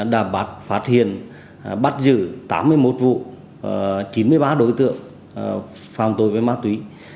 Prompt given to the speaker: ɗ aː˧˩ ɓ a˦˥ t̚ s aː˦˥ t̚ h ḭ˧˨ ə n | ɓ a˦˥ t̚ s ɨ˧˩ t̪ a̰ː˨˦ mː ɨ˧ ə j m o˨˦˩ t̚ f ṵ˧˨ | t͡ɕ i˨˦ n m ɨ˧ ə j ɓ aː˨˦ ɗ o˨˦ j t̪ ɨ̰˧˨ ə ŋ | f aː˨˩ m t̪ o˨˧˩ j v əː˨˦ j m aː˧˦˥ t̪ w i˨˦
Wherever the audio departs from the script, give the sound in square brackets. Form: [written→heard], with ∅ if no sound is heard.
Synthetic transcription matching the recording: ɗ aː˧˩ ɓ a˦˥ t̚ [s→f] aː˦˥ t̚ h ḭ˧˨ ə n | ɓ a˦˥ t̚ [s→z] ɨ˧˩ t̪ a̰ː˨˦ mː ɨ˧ ə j m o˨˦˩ t̚ [f→v] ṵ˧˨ | t͡ɕ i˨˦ n m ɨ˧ ə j ɓ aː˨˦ ɗ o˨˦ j t̪ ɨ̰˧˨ ə ŋ | f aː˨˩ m t̪ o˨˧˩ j v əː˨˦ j m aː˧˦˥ t̪ w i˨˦

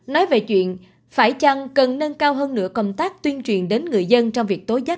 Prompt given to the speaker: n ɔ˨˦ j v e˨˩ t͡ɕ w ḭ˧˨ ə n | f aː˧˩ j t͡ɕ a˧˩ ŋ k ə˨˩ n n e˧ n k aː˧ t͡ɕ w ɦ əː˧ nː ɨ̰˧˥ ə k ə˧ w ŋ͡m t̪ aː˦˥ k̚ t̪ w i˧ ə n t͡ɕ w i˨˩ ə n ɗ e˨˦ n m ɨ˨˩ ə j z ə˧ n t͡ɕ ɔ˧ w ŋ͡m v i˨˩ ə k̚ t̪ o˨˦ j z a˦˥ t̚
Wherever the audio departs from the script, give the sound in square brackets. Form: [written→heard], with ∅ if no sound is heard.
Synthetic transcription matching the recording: n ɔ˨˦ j v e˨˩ t͡ɕ w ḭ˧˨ ə n | f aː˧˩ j t͡ɕ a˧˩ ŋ k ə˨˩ n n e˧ n k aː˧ [t͡ɕ→∅] w ɦ əː˧ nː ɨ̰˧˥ ə k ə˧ w ŋ͡m t̪ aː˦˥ k̚ t̪ w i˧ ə n t͡ɕ w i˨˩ ə n ɗ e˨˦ n [m→ŋ] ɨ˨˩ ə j z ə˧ n t͡ɕ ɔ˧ w ŋ͡m v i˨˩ ə k̚ t̪ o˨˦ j z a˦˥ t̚

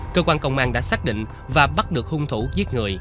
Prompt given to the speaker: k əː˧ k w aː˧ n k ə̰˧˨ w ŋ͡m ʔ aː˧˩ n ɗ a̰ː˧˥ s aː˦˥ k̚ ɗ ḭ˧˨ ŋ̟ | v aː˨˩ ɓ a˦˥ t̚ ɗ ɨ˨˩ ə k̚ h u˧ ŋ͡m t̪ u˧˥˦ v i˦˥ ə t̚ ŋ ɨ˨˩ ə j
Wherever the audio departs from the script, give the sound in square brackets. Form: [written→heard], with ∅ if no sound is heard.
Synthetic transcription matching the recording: k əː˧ k w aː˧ n k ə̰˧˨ w ŋ͡m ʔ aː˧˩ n ɗ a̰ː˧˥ s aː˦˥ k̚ ɗ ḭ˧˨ ŋ̟ | v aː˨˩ ɓ a˦˥ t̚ ɗ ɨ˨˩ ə k̚ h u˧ ŋ͡m [t̪→t̪ʰ] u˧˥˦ [v→z] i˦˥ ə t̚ ŋ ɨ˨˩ ə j

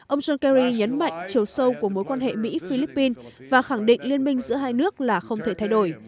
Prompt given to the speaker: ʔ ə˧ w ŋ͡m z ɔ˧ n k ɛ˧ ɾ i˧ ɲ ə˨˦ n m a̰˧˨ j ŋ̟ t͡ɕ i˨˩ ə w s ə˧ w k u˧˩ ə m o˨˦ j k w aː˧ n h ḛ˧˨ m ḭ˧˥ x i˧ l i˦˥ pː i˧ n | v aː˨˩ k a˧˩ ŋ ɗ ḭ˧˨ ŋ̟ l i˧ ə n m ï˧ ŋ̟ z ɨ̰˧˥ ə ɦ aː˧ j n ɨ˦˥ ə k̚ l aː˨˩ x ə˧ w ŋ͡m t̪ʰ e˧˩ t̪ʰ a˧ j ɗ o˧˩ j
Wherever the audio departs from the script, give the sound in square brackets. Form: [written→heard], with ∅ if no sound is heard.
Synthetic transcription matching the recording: ʔ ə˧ w ŋ͡m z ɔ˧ n k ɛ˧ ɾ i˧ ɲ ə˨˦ n m a̰˧˨ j ŋ̟ t͡ɕ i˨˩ ə w s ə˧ w k u˧˩ ə m o˨˦ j k w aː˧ n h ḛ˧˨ m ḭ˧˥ [x→f] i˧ l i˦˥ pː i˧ n | v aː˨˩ [k→x] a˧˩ ŋ ɗ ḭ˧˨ ŋ̟ l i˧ ə n m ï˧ ŋ̟ z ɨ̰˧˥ ə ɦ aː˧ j n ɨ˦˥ ə k̚ l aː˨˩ x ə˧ w ŋ͡m t̪ʰ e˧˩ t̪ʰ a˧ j ɗ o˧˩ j

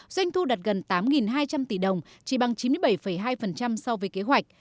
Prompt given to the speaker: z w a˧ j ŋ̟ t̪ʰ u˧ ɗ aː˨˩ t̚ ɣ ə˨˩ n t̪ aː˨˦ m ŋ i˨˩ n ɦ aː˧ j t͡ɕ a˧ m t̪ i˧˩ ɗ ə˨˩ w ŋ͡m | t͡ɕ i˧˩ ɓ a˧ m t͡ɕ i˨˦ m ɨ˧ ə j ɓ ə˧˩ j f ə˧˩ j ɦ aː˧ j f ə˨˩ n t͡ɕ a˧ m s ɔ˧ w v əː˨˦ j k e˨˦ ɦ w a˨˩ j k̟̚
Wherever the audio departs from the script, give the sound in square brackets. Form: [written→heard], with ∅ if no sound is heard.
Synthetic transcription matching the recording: z w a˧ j ŋ̟ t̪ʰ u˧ ɗ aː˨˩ t̚ ɣ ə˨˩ n t̪ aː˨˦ m ŋ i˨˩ n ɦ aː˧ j t͡ɕ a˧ m t̪ i˧˩ ɗ ə˨˩ w ŋ͡m | t͡ɕ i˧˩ ɓ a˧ [m→ŋ] t͡ɕ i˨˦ m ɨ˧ ə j ɓ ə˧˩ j f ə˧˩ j ɦ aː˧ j f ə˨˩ n t͡ɕ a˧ m s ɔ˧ w v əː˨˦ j k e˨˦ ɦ w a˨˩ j k̟̚

